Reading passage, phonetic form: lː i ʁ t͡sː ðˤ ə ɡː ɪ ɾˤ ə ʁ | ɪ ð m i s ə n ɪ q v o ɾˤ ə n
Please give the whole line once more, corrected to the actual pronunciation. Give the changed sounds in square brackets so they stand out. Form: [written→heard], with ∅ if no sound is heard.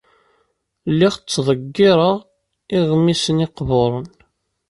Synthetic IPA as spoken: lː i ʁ t͡sː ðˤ ə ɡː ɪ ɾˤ ə ʁ | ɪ [ð→ʁ] m i s ə n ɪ q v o ɾˤ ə n